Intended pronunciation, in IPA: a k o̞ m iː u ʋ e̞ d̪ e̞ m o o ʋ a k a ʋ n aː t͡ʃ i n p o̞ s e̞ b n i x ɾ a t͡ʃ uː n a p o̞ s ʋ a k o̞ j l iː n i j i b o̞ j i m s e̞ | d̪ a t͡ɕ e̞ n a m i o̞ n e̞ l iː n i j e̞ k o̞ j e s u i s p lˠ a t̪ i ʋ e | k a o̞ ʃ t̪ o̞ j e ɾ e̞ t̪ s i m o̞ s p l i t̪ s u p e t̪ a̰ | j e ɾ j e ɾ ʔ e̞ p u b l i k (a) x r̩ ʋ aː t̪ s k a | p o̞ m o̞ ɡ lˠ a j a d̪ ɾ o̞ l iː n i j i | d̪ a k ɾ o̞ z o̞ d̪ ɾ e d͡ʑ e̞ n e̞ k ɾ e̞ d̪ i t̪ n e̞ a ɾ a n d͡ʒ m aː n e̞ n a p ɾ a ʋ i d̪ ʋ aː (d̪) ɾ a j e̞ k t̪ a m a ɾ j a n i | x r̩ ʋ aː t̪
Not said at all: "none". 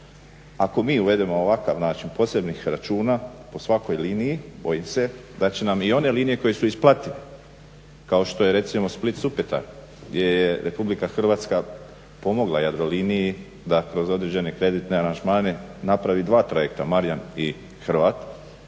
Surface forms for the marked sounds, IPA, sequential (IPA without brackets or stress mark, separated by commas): a, t̪